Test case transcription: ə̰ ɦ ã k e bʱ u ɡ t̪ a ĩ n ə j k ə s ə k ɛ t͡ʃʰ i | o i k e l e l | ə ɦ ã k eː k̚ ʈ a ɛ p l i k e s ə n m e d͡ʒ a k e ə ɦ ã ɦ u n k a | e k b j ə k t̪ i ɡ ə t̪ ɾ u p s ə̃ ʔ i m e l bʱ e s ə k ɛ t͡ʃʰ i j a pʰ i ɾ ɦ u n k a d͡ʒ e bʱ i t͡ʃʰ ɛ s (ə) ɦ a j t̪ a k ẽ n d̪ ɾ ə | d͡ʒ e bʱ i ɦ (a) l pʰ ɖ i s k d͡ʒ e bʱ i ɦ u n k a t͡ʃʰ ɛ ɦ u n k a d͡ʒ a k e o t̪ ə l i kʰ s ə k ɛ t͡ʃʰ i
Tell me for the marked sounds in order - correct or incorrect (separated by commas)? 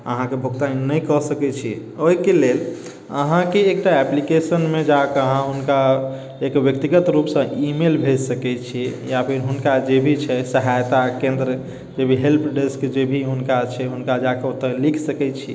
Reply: correct, incorrect